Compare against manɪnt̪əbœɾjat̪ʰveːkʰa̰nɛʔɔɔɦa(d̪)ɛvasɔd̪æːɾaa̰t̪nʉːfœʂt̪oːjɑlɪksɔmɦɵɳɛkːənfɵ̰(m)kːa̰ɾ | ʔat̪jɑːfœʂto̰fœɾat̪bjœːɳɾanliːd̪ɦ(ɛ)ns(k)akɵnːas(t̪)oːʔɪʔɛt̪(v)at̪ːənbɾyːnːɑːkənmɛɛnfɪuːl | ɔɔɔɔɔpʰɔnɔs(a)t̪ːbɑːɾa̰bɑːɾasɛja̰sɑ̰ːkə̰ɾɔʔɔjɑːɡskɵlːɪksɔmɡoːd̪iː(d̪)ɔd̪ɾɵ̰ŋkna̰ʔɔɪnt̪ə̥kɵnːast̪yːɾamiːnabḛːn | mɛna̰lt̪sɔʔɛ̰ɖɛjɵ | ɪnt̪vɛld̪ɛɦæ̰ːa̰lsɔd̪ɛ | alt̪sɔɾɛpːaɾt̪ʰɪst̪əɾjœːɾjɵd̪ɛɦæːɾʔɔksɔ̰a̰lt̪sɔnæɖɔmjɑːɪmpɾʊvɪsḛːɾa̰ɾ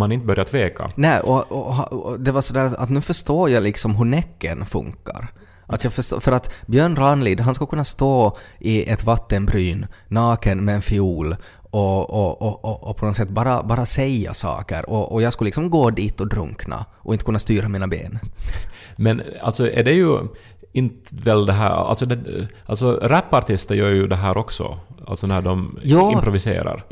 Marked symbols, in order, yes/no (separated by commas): yes, no, no, yes, yes, yes, no, no